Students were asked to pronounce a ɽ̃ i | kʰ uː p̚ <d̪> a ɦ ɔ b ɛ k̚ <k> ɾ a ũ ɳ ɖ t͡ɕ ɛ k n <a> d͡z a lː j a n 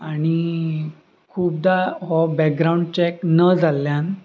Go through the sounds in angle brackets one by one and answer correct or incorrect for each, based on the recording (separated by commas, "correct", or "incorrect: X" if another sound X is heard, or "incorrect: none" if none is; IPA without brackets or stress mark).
correct, incorrect: ɡ, incorrect: ə